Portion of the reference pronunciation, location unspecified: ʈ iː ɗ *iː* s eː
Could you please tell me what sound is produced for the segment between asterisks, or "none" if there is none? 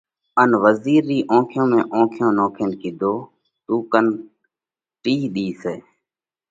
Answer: iː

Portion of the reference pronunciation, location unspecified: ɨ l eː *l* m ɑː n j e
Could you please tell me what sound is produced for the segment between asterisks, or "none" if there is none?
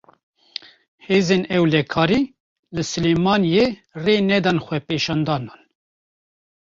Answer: none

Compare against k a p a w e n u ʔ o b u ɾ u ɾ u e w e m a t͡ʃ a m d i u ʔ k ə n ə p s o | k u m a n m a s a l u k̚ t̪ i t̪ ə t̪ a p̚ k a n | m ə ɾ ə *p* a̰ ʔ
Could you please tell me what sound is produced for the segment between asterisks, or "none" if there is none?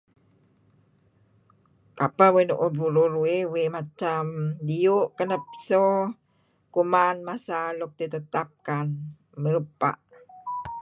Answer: p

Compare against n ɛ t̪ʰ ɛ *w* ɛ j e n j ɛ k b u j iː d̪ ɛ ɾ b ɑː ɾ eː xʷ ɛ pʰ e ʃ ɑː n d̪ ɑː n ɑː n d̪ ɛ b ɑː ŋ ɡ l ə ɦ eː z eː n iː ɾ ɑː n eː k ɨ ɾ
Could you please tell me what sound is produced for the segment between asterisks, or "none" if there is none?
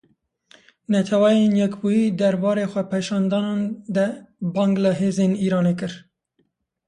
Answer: w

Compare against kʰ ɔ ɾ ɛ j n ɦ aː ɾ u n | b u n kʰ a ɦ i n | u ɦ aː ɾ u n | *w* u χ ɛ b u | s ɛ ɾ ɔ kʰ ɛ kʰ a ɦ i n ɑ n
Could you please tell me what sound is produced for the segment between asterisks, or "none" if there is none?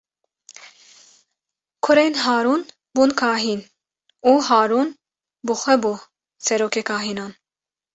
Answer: b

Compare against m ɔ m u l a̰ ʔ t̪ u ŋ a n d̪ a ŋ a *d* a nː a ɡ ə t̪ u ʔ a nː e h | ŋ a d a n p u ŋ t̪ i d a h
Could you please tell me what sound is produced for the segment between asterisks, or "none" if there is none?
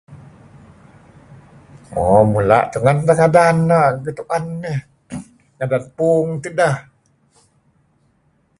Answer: d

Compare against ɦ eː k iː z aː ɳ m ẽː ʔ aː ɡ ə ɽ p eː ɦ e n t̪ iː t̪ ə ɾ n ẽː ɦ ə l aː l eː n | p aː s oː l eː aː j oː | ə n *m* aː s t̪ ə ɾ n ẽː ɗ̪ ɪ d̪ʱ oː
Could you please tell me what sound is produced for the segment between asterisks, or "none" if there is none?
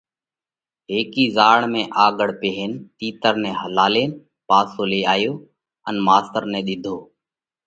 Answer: m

